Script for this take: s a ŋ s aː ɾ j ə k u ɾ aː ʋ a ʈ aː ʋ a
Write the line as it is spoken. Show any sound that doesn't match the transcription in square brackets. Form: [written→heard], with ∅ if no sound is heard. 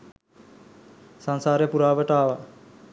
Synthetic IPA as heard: s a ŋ s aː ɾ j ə [k→p] u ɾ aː ʋ [a→ə] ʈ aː ʋ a